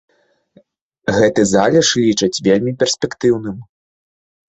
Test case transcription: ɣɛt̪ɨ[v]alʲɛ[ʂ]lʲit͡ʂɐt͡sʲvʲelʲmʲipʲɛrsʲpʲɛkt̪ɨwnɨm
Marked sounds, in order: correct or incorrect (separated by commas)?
incorrect, correct